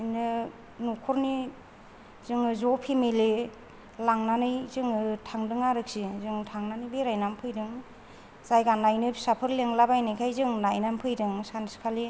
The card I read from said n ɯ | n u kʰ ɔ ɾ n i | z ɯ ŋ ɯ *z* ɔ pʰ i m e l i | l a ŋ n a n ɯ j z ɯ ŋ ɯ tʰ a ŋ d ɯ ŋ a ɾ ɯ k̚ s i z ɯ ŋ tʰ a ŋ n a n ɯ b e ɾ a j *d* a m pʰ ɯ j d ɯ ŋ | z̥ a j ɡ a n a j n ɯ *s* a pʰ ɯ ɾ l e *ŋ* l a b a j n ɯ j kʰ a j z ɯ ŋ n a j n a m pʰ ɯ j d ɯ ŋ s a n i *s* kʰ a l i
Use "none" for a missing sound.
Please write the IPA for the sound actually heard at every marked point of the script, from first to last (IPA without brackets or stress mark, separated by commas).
z, n, s, ŋ, s